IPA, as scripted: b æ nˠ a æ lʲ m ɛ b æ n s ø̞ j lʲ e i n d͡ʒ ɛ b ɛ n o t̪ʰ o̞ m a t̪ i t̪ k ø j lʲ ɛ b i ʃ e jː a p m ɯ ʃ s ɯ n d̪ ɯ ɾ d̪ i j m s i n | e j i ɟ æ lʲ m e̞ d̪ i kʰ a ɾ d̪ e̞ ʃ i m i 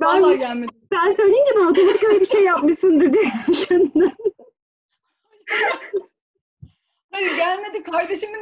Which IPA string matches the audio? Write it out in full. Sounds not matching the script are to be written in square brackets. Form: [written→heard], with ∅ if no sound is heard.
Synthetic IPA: b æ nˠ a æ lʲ m [ɛ→e] b æ n s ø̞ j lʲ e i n d͡ʒ ɛ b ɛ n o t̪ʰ o̞ m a t̪ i [t̪→∅] k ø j lʲ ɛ b i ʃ e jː a p m ɯ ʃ s ɯ n d̪ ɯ ɾ d̪ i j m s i n | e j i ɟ æ lʲ m e̞ d̪ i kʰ a ɾ d̪ e̞ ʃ i m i